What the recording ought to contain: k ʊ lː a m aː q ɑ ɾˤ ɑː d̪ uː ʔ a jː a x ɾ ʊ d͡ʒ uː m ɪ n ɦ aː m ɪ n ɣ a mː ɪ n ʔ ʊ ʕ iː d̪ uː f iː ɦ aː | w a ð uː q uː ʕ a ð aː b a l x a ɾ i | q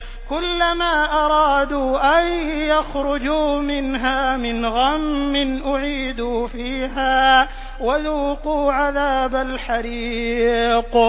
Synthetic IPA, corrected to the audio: k ʊ lː a m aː ʔ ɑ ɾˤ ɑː d̪ uː ʔ a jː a x ɾ ʊ d͡ʒ uː m ɪ n ɦ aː m ɪ n ɣ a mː ɪ n ʔ ʊ ʕ iː d̪ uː f iː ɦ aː | w a ð uː q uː ʕ a ð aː b a l ħ a ɾ i | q